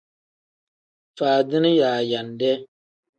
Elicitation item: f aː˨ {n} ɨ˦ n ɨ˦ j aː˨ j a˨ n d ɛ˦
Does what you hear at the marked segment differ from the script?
yes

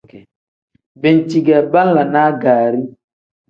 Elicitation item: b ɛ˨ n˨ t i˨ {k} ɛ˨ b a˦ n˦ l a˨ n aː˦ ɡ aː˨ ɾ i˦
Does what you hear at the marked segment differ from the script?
yes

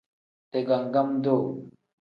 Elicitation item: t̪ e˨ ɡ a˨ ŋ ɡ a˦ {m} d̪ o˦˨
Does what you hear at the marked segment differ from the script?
no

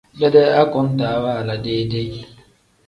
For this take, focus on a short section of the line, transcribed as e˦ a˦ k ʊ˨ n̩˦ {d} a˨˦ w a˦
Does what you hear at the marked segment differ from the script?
yes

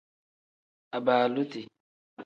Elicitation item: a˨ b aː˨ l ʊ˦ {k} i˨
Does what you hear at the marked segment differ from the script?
yes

